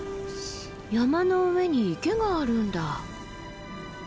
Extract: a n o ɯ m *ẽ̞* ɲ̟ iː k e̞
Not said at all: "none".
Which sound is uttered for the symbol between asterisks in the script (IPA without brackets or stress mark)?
e̞